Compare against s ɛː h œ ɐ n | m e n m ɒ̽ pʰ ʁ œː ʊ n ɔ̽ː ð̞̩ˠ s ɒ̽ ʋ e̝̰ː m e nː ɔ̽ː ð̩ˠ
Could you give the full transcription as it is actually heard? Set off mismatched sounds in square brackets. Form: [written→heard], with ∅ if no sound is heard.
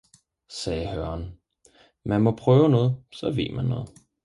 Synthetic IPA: s ɛː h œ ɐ n | m [e→æ] n m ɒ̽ pʰ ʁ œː ʊ n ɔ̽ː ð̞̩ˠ s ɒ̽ ʋ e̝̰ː m [e→æ] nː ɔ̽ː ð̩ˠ